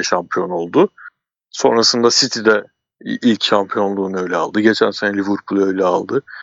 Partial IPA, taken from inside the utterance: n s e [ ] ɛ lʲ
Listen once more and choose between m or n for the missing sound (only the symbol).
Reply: n